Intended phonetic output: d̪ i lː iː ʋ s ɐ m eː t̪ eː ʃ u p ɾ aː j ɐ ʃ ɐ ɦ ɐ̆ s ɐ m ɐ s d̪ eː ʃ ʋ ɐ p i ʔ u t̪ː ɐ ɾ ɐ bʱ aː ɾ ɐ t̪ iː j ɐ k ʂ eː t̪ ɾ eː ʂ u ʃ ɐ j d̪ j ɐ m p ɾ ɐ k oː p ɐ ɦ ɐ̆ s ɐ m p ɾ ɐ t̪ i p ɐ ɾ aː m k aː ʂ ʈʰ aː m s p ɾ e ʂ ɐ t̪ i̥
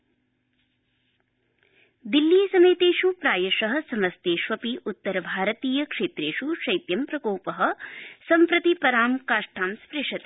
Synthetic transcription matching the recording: d̪ i lː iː s ɐ m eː t̪ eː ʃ u p ɾ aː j ɐ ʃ ɐ ɦ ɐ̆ s ɐ m ɐ s t̪ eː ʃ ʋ ɐ p i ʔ u t̪ː ɐ ɾ ɐ bʱ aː ɾ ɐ t̪ iː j ɐ k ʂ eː t̪ ɾ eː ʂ u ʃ ɐ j t̪ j ɐ m p ɾ ɐ k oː p ɐ ɦ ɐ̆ s ɐ m p ɾ ɐ t̪ i p ɐ ɾ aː m k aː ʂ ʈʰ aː m s p ɾ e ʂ ɐ t̪ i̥

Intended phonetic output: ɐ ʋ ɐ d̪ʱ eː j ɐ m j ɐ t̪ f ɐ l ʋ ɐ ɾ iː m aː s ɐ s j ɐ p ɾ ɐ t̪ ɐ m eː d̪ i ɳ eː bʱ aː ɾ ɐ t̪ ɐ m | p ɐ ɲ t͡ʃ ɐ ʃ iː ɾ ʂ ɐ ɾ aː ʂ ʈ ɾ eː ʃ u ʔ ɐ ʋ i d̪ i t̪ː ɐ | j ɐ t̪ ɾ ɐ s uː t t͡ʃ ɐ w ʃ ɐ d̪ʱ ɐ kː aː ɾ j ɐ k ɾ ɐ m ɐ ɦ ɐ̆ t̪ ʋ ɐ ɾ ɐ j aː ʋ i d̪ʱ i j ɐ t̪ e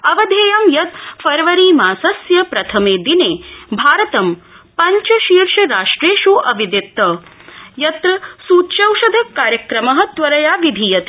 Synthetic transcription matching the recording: ɐ ʋ ɐ d̪ʱ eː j ɐ m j ɐ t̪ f ɐ ɾ ʋ ɐ ɾ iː m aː s ɐ s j ɐ p ɾ ɐ t̪ʰ ɐ m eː d̪ i n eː bʱ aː ɾ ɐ t̪ ɐ m | p ɐ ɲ t͡ʃ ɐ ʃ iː ɾ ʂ ɐ ɾ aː ʂ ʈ ɾ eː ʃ u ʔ ɐ ʋ i d̪ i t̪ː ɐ | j ɐ t̪ ɾ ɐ s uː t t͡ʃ ɐ w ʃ ɐ d̪ʱ ɐ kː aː ɾ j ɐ k ɾ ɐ m ɐ ɦ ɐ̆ t̪ ʋ ɐ ɾ ɐ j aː ʋ i d̪ʱ i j ɐ t̪ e

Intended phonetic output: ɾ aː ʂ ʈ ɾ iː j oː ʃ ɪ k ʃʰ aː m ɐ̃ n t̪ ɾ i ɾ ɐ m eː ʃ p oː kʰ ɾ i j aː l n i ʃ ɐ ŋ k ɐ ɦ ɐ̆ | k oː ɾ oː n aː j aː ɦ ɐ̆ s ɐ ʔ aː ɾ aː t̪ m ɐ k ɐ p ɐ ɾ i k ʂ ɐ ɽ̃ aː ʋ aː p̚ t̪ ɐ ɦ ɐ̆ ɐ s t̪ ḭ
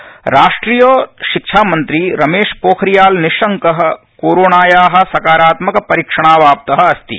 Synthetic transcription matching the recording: ɾ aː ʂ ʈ ɾ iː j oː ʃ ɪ k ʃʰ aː m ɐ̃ n t̪ ɾ i ɾ ɐ m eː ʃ p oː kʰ ɾ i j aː l n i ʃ ɐ ŋ k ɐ ɦ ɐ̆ | k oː ɾ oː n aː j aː ɦ ɐ̆ s ɐ k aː ɾ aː t̪ m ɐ k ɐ p ɐ ɾ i k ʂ ɐ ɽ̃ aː ʋ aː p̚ t̪ ɐ ɦ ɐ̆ ɐ s t̪ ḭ

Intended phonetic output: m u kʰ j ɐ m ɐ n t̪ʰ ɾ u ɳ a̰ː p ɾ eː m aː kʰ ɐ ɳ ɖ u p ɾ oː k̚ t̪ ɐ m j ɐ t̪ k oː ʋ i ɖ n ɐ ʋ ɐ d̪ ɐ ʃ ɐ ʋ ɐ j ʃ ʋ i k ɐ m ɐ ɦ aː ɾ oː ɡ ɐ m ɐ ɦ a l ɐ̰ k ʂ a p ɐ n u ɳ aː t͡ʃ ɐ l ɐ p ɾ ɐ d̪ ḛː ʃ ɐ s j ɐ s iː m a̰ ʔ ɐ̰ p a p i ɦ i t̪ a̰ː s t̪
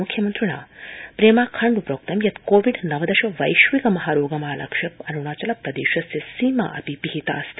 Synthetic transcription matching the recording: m u kʰ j ɐ m ɐ n t̪ ɾ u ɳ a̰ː p ɾ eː m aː kʰ ɐ ɳ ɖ u p ɾ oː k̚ t̪ ɐ m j ɐ t̪ k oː ʋ i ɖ n ɐ ʋ ɐ d̪ ɐ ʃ ɐ ʋ ɐ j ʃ ʋ i k ɐ m ɐ ɦ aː ɾ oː ɡ ɐ m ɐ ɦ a l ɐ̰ k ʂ ɐ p ɐ n u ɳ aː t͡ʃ ɐ l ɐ p ɾ ɐ d̪ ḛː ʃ ɐ s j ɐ s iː m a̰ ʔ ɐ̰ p i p i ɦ i t̪ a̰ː s t̪

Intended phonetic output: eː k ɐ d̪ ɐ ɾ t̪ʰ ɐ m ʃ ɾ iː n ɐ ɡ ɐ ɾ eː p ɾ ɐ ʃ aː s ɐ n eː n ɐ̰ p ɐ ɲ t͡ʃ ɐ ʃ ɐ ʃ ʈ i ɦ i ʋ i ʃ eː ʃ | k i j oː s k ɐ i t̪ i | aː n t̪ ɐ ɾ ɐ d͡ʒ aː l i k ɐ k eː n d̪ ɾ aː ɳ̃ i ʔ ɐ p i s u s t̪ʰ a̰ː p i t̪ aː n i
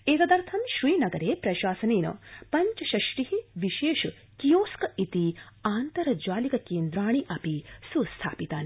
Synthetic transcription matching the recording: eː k ɐ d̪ ɐ ɾ t̪ʰ ɐ m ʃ ɾ iː n ɐ ɡ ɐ ɾ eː p ɾ ɐ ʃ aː s ɐ n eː n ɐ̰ p ɐ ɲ t͡ʃ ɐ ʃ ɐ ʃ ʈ i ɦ i ʋ i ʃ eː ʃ | k i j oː s k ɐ i t̪ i | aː n t̪ ɐ ɾ ɐ d͡ʒ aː l i k ɐ k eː n d̪ ɾ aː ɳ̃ i ʔ ɐ p i s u s t̪ʰ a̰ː p i t̪ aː n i

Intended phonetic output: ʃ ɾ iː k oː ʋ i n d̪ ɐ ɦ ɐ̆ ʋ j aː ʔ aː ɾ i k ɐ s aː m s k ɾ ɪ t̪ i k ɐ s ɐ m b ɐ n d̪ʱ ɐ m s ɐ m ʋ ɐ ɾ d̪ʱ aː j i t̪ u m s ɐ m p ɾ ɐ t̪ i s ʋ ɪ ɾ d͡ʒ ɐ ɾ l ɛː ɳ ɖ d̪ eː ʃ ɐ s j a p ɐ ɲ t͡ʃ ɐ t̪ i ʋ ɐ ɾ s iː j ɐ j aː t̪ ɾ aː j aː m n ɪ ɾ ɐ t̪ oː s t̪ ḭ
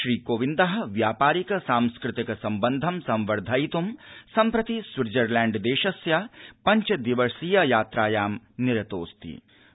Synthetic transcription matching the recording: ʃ ɾ iː k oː ʋ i n d̪ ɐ ɦ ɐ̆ ʋ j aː p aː ɾ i k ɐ s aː m s k ɾ ɪ t̪ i k ɐ s ɐ m b ɐ n d̪ʱ ɐ m s ɐ m ʋ ɐ ɾ d̪ʱ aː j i t̪ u m s ɐ m p ɾ ɐ t̪ i s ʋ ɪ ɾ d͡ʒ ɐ ɾ l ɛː ɳ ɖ d̪ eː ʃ ɐ s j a p ɐ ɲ t͡ʃ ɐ d̪ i ʋ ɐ ɾ s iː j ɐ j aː t̪ ɾ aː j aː m n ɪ ɾ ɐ t̪ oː s t̪ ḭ

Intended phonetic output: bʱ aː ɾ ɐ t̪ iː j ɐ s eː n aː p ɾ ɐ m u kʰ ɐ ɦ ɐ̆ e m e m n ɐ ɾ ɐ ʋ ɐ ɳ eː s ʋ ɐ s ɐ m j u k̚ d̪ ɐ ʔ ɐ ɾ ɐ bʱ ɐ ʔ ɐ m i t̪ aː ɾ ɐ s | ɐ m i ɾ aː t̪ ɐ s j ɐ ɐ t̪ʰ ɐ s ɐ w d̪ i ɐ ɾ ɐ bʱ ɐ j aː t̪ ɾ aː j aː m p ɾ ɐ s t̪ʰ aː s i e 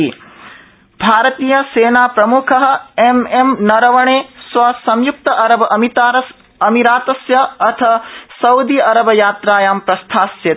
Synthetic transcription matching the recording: bʱ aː ɾ ɐ t̪ iː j ɐ s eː n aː p ɾ ɐ m u kʰ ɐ ɦ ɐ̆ e m e m n ɐ ɾ ɐ ʋ ɐ ɳ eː s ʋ ɐ s ɐ m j u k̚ t̪ ɐ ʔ ɐ ɾ ɐ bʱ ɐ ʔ ɐ m i t̪ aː ɾ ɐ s | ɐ m i ɾ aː t̪ ɐ s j ɐ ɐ t̪ʰ ɐ s ɐ w d̪ i ɐ ɾ ɐ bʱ ɐ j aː t̪ ɾ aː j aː m p ɾ ɐ s t̪ʰ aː s j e

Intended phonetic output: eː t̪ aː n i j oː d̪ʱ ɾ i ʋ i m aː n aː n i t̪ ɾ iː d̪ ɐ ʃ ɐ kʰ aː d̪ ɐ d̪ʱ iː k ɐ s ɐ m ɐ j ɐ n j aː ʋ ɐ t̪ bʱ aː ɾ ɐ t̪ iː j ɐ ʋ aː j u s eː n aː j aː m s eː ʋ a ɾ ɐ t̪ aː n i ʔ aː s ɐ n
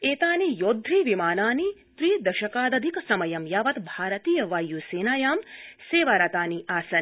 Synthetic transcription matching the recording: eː t̪ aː n i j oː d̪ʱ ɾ i ʋ i m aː n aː n i t̪ ɾ iː d̪ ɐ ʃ ɐ k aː d̪ ɐ d̪ʱ i k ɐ s ɐ m ɐ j ɐ m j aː ʋ ɐ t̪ bʱ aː ɾ ɐ t̪ iː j ɐ ʋ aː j u s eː n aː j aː m s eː ʋ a ɾ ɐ t̪ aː n i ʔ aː s ɐ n

